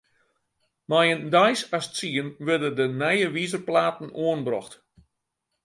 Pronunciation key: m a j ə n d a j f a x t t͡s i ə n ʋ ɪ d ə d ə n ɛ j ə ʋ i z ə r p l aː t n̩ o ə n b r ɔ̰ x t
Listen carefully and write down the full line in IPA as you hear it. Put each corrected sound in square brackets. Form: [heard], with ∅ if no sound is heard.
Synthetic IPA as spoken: m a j ə n d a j [s] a [s] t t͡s i ə n ʋ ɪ d ə d ə n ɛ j ə ʋ i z ə r p l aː t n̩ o ə n b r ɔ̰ x t